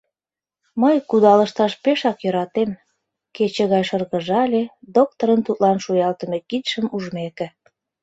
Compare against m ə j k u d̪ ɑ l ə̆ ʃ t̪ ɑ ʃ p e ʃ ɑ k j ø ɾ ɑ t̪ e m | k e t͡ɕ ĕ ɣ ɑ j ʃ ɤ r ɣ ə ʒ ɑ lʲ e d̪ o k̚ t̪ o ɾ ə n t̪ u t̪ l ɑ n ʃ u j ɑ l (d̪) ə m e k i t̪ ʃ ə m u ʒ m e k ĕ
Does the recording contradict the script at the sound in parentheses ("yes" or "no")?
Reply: yes